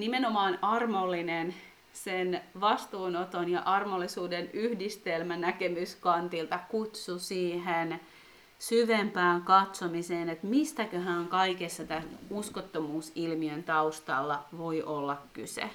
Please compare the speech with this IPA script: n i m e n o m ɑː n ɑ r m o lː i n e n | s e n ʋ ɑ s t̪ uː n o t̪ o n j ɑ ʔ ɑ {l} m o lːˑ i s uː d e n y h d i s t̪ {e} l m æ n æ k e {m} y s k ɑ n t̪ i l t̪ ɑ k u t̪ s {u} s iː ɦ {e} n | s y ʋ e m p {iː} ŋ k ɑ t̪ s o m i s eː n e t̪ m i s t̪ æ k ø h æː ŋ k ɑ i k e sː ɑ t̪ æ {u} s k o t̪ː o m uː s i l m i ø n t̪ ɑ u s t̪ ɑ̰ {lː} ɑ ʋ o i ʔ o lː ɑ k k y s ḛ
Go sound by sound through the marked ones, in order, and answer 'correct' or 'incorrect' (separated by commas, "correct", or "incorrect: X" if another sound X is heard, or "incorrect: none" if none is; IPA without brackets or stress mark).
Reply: incorrect: r, correct, correct, correct, correct, incorrect: æː, correct, correct